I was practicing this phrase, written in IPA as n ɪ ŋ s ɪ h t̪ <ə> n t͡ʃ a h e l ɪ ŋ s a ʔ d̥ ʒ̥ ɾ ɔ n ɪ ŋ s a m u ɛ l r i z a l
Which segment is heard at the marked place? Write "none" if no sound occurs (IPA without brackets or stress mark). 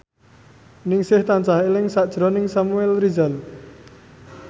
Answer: a